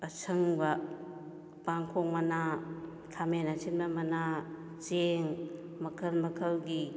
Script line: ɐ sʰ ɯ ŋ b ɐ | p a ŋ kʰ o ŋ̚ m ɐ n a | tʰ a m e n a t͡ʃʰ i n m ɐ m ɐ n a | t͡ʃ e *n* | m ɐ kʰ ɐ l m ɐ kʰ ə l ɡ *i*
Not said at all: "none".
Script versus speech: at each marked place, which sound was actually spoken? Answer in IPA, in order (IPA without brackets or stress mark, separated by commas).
ŋ, i